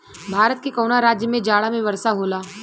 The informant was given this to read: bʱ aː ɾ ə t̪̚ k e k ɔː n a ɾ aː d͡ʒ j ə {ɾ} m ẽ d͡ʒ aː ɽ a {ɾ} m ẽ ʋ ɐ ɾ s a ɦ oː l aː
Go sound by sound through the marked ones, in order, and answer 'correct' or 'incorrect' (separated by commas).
incorrect, incorrect